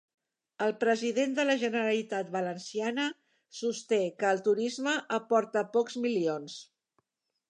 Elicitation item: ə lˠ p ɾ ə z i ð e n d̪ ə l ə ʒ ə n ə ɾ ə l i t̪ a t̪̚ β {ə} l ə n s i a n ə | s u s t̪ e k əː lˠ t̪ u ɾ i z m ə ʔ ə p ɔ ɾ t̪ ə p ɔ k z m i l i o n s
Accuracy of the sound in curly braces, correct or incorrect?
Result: correct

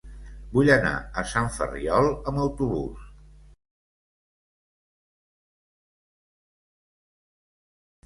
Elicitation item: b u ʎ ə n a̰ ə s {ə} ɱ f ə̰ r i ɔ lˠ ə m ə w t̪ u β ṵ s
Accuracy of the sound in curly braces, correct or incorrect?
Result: incorrect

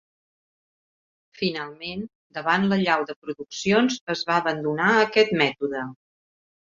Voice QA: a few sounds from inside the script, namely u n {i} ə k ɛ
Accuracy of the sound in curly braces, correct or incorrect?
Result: incorrect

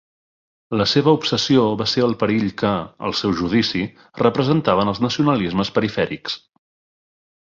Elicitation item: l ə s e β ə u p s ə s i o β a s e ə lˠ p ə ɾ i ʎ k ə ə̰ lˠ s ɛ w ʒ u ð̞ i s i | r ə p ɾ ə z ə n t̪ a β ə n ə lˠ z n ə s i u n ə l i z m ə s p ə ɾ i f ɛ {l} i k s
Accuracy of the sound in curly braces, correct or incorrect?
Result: incorrect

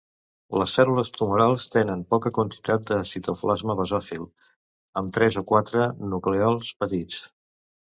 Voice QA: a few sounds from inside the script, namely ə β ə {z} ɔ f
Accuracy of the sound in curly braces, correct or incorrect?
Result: correct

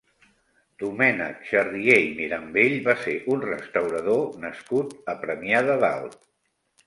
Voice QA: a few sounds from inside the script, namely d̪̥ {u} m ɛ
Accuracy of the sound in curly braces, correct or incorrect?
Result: correct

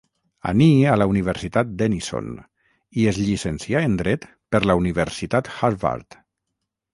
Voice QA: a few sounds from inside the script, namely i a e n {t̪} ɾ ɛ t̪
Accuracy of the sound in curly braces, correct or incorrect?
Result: incorrect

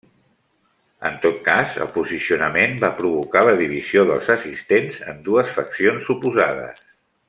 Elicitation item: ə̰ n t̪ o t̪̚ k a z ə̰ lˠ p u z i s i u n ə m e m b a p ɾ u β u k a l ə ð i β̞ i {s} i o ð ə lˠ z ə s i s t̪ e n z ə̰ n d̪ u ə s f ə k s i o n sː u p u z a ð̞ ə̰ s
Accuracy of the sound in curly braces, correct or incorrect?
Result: incorrect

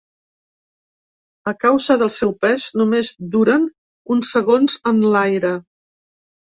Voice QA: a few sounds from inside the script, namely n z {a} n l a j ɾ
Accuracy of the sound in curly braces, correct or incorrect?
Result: incorrect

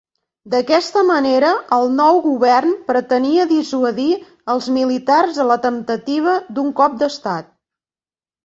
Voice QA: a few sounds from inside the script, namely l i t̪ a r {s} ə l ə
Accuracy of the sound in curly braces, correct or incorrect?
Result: incorrect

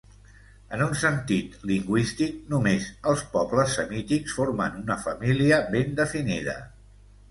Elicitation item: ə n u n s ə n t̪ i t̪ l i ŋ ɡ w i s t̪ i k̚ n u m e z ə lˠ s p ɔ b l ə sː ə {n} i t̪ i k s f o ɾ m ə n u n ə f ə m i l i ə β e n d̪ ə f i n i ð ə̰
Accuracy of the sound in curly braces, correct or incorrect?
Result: incorrect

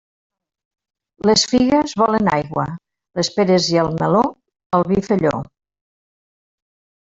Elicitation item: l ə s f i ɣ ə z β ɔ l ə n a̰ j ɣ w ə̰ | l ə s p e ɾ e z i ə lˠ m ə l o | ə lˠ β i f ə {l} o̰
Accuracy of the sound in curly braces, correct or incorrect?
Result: incorrect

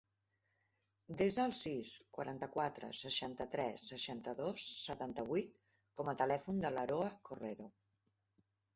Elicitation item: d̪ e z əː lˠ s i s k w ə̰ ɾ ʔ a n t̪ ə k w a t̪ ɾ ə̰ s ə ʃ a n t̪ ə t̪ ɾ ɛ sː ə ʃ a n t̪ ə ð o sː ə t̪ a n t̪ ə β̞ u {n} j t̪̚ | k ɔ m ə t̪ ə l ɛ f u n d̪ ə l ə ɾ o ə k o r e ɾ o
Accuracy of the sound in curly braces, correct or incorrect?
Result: incorrect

